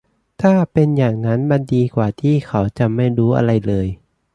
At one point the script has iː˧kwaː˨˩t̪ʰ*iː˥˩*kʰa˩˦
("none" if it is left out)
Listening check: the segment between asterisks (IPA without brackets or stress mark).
iː˥˩